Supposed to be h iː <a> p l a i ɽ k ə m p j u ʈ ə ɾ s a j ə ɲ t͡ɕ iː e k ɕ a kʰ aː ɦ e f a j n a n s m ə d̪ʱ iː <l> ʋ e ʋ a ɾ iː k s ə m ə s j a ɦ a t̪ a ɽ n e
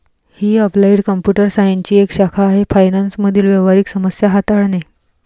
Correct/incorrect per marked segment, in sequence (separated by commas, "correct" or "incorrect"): incorrect, correct